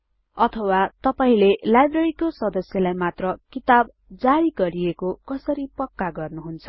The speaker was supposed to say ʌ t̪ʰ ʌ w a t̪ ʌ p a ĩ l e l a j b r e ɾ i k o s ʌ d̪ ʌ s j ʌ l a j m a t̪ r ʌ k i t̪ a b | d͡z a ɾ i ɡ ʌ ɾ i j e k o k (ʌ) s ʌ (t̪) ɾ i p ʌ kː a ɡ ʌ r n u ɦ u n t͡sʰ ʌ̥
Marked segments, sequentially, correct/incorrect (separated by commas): correct, incorrect